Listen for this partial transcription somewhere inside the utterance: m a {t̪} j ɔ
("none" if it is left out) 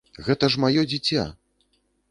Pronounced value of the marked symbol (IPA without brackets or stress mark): none